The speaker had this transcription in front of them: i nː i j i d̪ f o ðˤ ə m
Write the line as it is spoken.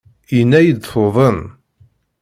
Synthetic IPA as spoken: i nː æ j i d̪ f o ðˤ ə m